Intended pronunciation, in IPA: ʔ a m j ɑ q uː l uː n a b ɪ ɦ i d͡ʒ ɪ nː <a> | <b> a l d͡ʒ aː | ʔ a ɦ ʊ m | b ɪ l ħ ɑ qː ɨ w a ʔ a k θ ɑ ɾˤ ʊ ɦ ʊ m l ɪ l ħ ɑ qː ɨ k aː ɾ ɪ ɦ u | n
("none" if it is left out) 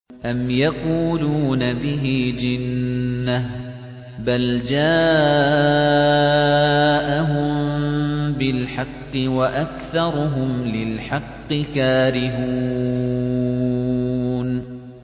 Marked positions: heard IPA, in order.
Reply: a, b

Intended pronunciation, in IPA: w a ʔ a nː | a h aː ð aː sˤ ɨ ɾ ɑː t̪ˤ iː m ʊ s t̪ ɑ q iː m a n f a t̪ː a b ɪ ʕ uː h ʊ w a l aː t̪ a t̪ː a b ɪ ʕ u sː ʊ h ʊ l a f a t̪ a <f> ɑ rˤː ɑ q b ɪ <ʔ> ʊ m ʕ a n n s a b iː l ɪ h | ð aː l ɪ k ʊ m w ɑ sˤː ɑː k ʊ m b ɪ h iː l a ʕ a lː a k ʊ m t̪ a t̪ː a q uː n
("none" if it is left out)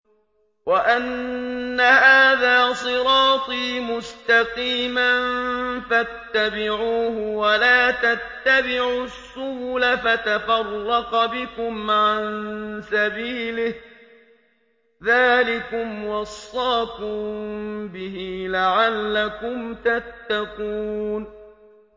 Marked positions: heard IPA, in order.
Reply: f, k

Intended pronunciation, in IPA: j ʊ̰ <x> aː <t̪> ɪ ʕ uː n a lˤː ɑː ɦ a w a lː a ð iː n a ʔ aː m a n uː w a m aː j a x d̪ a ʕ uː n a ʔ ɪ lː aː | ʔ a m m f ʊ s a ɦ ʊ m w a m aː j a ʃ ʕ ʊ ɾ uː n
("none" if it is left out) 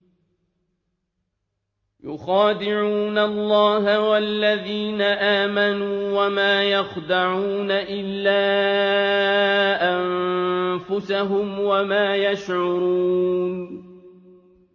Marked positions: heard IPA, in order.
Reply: x, d̪

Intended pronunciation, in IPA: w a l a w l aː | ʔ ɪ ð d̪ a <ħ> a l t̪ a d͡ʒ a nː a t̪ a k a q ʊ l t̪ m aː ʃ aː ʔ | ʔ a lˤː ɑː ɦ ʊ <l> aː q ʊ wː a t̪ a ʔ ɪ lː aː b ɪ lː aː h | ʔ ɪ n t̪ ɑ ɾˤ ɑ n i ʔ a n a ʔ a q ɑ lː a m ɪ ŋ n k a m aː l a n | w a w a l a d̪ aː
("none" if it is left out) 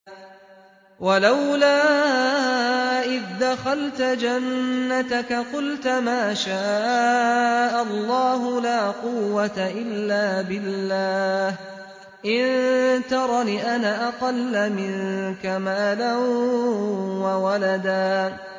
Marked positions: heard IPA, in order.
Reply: x, l

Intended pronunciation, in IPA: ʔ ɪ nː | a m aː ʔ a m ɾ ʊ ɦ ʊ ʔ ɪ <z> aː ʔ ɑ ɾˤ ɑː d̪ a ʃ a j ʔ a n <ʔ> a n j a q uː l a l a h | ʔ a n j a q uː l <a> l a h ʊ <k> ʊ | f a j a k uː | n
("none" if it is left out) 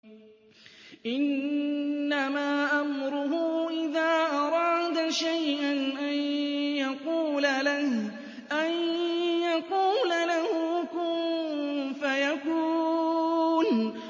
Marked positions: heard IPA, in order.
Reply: ð, ʔ, a, k

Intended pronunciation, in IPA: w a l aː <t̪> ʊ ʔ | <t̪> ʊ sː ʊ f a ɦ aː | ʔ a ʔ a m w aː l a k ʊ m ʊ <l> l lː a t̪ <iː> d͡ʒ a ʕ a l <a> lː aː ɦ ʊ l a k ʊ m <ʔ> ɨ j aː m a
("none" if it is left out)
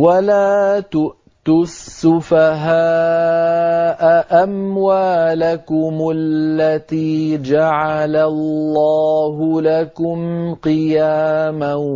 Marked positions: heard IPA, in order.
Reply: t̪, t̪, l, iː, a, q

